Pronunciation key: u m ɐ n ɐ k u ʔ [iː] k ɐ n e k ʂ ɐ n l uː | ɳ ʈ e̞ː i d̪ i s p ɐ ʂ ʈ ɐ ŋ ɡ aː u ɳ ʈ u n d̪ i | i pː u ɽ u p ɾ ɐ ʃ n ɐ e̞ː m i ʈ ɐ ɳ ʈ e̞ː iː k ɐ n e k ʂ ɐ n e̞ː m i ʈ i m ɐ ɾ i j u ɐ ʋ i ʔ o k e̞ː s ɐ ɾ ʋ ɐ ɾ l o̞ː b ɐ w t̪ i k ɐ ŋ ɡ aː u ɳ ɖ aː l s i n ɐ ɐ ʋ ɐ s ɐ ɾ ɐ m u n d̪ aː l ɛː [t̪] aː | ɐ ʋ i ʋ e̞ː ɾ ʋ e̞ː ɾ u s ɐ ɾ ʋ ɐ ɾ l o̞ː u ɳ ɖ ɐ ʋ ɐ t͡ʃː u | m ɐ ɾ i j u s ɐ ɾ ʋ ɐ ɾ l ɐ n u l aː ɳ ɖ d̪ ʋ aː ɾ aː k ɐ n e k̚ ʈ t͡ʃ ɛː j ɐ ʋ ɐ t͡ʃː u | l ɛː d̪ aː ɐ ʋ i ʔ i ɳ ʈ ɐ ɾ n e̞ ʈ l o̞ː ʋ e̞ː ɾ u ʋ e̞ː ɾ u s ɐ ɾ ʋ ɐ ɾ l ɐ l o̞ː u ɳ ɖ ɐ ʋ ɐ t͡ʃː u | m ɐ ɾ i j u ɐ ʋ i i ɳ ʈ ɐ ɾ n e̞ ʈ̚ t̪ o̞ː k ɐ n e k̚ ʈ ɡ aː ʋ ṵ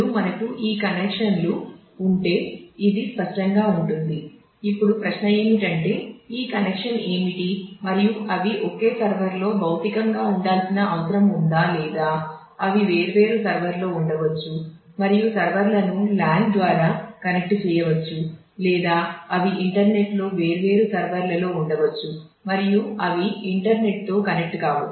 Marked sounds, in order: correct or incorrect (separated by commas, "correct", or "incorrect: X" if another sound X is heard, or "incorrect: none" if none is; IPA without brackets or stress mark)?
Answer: correct, incorrect: d̪